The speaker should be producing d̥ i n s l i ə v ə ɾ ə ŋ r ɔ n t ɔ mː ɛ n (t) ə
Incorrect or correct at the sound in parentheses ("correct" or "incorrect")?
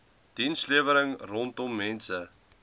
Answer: incorrect